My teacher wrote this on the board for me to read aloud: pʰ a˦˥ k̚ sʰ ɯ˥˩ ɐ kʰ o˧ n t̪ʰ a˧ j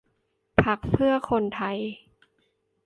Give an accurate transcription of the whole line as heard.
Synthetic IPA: pʰ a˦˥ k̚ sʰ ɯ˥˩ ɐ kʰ o˧ n t̪ʰ a˧ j